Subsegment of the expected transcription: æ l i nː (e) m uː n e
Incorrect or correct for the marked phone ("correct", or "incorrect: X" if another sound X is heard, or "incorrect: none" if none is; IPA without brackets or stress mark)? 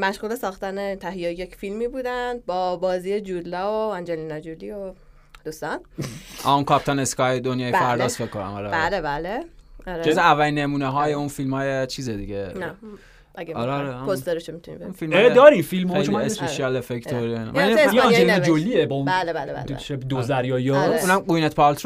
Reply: correct